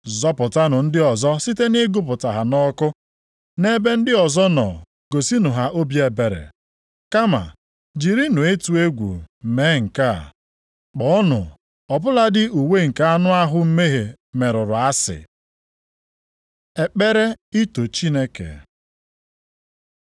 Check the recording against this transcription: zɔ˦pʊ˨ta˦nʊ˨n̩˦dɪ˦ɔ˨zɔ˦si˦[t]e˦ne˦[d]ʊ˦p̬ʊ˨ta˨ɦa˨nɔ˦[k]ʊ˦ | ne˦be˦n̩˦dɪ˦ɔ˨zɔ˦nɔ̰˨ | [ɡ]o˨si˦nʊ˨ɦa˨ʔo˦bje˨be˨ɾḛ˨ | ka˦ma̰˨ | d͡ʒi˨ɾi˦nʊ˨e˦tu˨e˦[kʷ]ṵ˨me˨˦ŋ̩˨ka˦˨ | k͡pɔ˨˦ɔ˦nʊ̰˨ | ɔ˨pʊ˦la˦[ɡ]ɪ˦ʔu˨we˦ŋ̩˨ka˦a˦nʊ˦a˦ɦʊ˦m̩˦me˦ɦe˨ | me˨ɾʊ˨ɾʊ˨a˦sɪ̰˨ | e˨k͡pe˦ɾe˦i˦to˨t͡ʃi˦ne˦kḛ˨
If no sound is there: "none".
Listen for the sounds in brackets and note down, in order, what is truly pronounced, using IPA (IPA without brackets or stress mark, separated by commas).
t, ɡ, k, ɡ, ɡʷ, d